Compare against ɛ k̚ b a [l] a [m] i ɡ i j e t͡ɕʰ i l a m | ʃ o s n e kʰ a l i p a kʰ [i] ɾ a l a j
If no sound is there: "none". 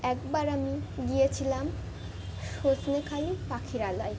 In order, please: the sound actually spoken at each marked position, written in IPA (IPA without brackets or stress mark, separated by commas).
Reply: ɾ, m, i